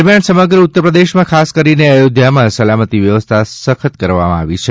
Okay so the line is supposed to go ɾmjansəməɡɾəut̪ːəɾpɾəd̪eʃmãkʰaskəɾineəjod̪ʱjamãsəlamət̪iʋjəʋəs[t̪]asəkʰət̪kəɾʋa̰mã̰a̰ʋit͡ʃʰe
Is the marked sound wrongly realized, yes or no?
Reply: yes